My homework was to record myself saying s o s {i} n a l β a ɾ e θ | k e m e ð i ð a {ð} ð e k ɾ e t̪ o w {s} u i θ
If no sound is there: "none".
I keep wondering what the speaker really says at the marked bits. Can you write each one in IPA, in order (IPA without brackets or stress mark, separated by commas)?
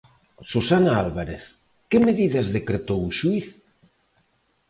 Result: a, z, ʃ